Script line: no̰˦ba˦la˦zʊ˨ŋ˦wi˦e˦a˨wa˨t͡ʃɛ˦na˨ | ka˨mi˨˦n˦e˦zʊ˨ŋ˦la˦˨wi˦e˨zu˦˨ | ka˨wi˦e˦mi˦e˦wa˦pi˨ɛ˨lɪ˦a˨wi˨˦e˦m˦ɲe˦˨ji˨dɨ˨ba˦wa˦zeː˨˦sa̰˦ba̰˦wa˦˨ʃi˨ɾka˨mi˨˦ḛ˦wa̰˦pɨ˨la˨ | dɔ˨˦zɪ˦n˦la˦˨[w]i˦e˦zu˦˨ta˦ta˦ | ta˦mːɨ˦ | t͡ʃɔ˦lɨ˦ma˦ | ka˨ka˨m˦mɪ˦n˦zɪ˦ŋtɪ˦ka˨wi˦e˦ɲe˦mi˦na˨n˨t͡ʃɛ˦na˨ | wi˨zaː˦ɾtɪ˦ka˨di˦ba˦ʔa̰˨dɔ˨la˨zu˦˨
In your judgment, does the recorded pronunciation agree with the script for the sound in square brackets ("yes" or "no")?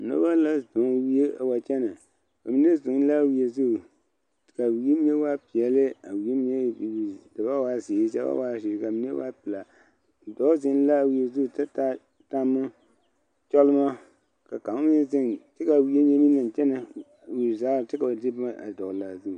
yes